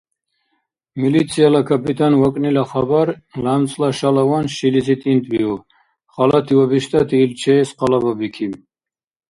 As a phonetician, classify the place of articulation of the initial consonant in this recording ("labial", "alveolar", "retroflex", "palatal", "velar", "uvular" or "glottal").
labial